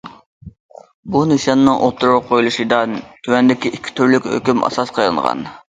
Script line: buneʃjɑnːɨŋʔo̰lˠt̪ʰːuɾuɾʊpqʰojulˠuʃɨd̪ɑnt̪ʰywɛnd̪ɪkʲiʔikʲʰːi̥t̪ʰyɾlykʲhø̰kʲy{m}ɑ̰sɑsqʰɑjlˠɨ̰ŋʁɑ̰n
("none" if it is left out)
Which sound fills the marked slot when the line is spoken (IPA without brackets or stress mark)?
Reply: m